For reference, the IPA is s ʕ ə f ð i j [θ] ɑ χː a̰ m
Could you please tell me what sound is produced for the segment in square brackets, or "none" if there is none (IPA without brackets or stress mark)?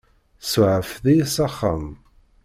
s